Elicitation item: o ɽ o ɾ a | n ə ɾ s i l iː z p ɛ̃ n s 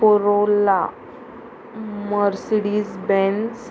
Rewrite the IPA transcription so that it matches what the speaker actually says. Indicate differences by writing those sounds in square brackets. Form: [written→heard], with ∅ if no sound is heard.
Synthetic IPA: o [ɽ→ɾ] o [ɾ→l] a | [n→m] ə ɾ s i [l→ɽ] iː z [p→b] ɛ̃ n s